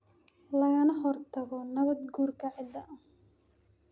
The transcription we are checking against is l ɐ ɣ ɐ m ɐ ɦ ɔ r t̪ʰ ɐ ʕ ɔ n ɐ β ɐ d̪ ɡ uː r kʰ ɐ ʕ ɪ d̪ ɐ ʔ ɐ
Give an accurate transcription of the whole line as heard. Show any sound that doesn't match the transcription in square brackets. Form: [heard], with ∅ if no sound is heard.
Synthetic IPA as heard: l ɐ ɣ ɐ [n] ɐ ɦ ɔ r t̪ʰ ɐ [ɣ] ɔ n ɐ β ɐ d̪ ɡ uː r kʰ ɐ ʕ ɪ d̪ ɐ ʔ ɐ